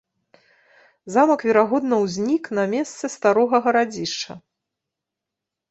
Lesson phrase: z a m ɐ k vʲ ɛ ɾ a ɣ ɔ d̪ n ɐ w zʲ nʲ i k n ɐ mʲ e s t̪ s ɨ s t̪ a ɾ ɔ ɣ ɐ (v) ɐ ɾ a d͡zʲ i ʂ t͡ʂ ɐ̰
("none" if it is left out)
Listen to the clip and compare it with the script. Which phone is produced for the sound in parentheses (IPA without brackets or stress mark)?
ɣ